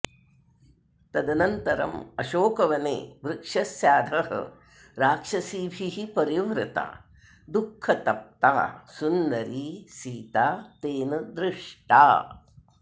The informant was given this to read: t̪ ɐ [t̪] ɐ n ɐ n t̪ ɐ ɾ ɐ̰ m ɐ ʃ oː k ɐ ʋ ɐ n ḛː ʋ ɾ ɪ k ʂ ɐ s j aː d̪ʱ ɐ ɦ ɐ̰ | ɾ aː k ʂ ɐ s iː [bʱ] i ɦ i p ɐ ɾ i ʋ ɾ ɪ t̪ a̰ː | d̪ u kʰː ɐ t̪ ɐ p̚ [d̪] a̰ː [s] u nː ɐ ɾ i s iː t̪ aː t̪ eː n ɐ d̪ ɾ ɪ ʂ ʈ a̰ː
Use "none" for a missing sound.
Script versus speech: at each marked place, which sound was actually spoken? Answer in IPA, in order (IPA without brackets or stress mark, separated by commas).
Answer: d̪, bʱ, t̪, s